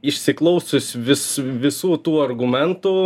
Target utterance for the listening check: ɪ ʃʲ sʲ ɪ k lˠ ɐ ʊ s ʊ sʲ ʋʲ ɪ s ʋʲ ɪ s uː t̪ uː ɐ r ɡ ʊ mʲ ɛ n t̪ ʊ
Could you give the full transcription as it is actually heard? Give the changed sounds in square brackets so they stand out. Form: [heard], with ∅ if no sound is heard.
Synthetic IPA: ɪ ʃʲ sʲ ɪ k lˠ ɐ ʊ s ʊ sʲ ʋʲ ɪ s ʋʲ ɪ s uː t̪ uː ɐ r ɡ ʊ mʲ ɛ n t̪ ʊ